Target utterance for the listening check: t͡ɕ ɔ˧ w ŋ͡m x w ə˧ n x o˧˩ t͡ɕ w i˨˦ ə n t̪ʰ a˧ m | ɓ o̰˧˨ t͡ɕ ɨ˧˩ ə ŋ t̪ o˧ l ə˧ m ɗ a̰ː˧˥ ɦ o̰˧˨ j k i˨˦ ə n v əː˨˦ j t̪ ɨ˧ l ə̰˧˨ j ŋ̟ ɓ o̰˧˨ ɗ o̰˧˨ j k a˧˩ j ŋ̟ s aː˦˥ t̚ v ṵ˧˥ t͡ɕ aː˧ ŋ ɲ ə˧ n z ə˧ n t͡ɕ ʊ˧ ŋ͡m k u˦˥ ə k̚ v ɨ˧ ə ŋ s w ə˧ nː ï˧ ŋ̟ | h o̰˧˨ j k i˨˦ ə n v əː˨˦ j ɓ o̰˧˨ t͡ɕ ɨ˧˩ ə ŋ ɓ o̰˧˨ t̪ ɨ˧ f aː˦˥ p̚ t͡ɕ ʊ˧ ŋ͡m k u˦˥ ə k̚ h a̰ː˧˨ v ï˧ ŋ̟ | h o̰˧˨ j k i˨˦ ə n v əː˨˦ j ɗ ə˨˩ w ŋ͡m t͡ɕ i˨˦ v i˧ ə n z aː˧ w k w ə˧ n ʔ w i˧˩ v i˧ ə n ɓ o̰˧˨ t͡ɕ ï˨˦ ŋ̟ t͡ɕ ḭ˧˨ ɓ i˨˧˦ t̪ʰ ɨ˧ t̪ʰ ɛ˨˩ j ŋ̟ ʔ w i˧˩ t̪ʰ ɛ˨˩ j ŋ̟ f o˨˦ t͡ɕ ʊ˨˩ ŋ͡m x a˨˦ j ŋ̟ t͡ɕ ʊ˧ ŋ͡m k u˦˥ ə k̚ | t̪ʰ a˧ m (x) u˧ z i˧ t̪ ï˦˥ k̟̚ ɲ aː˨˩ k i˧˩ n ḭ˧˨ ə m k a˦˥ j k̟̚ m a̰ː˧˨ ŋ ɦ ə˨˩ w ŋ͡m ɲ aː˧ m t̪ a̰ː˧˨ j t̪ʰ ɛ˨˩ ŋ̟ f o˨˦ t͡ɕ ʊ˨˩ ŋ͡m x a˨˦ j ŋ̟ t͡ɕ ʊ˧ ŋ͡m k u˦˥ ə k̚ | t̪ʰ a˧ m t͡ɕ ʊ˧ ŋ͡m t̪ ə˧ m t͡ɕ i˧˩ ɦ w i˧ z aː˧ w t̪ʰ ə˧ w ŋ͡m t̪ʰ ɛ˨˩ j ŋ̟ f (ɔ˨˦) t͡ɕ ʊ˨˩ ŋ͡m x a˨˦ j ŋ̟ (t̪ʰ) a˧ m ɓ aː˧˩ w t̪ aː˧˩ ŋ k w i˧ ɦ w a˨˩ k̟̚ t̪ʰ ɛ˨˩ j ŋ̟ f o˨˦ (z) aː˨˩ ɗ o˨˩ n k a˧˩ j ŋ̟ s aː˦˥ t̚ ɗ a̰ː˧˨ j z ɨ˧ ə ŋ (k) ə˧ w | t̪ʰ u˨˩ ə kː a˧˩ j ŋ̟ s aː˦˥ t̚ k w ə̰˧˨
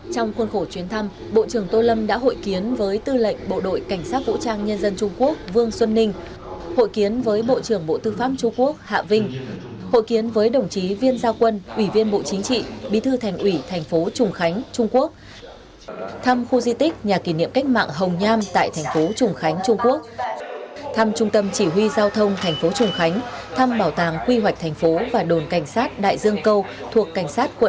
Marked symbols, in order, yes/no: yes, no, yes, no, yes

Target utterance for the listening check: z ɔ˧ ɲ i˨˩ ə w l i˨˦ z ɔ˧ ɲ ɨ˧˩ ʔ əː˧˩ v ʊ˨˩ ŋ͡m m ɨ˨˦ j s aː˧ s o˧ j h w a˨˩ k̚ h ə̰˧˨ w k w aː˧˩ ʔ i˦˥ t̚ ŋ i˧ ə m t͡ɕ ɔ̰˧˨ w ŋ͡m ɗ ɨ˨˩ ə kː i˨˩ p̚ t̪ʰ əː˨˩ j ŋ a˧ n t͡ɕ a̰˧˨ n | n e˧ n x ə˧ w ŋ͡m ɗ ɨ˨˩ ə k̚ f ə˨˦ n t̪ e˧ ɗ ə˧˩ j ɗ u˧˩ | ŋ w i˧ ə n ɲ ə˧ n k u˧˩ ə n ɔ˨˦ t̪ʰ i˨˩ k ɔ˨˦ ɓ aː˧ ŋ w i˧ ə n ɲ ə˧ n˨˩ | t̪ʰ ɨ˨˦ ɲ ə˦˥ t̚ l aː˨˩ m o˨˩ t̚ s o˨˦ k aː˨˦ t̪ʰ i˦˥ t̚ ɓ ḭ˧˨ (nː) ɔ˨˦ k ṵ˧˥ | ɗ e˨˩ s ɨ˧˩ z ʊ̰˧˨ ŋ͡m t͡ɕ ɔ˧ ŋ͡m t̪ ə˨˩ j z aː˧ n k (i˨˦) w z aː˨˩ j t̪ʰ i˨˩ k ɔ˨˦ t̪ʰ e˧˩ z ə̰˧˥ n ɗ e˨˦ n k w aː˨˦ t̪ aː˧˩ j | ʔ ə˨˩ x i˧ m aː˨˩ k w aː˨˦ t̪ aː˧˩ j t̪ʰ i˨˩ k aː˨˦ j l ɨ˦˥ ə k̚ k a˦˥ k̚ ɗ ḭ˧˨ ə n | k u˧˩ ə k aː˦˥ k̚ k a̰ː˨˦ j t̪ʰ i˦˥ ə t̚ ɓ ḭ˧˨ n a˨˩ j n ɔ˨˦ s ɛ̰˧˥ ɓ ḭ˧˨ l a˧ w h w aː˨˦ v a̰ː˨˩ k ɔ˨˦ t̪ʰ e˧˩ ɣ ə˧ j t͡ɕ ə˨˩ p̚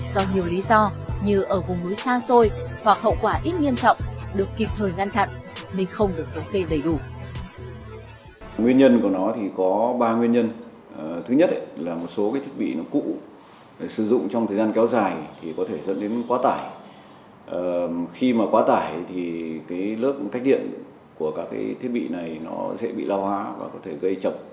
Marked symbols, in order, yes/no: no, no

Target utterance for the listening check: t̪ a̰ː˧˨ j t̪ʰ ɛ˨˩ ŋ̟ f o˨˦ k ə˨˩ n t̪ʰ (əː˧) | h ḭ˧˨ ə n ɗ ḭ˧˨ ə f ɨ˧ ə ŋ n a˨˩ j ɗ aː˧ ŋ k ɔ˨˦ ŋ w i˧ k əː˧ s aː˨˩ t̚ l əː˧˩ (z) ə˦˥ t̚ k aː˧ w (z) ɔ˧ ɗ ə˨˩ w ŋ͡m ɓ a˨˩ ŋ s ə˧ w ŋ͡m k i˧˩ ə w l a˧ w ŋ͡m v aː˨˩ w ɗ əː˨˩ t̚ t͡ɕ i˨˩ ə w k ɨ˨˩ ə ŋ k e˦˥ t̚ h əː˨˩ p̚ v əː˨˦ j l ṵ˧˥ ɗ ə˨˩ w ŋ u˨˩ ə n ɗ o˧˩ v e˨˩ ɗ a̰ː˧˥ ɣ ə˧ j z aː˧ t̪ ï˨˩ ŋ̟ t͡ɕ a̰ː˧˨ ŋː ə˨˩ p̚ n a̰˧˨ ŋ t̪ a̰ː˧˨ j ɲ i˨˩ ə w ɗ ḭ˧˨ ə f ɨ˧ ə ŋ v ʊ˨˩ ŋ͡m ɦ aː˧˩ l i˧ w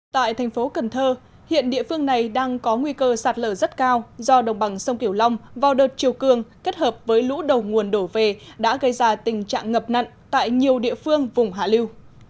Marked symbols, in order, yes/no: yes, yes, yes

